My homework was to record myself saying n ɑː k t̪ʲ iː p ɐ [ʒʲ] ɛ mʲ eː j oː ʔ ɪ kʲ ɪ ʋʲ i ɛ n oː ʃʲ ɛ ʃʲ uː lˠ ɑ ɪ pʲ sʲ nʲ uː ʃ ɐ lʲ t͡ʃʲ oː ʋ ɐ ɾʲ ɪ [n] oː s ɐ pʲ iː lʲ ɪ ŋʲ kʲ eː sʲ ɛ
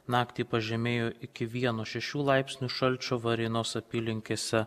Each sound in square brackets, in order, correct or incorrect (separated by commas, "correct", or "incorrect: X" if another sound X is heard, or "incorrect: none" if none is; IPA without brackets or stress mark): correct, correct